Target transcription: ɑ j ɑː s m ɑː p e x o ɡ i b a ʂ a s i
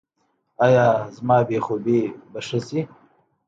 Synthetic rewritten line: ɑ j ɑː z m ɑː b e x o b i b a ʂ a s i

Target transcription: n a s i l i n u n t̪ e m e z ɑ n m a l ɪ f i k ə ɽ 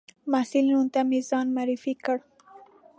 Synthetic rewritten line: m a s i l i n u n t̪ a m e z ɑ n m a ɾ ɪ f i k ə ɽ

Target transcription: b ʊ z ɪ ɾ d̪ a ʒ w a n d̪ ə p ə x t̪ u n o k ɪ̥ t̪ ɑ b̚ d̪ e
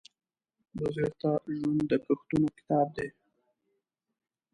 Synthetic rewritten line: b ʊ z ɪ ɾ t̪ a ʒ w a n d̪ ə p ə x t̪ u n o k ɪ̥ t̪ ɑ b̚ d̪ e

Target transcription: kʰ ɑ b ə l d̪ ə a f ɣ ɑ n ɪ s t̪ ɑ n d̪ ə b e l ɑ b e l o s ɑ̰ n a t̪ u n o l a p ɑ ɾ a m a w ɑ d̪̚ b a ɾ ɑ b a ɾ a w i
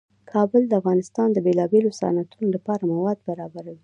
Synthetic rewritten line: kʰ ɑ b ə l d̪ ə a f ɣ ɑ n ɪ s t̪ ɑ n d̪ ə b e l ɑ b e l o s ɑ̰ n a t̪ u n o l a p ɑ ɾ a m a w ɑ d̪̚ b a ɾ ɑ b a ɾ a w i

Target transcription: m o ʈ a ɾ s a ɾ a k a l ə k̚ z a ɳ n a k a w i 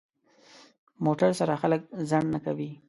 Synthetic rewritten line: m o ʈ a ɾ s a ɾ a x a l ə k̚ z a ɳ n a k a w i

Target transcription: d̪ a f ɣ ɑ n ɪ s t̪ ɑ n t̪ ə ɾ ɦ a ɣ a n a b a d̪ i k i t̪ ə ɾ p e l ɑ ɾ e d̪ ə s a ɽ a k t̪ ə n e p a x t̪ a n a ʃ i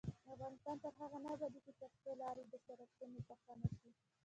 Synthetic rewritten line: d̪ a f ɣ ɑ n ɪ s t̪ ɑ n t̪ ə ɾ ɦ a ɣ a n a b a d̪ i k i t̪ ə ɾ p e l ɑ ɾ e d̪ ə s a ɾ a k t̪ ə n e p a x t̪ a n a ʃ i

